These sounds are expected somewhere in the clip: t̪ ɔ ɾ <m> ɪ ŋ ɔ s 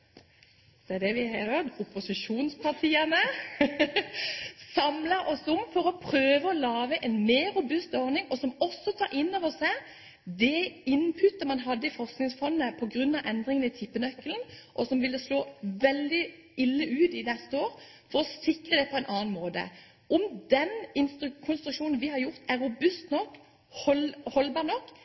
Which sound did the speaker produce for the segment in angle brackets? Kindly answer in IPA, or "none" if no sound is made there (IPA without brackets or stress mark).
n